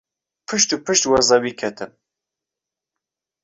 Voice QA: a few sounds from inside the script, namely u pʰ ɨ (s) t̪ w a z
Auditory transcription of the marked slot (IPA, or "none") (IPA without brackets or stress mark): ʃ